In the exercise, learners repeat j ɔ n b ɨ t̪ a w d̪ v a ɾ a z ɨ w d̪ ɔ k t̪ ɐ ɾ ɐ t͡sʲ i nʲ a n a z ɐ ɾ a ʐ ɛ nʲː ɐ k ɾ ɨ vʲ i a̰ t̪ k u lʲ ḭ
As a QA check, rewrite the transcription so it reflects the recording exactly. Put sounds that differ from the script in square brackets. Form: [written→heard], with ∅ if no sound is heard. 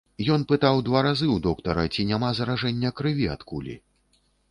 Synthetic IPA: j ɔ n [b→p] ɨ t̪ a w d̪ v a ɾ a z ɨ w d̪ ɔ k t̪ ɐ ɾ ɐ t͡sʲ i nʲ a [n→m] a z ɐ ɾ a ʐ ɛ nʲː ɐ k ɾ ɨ vʲ i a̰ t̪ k u lʲ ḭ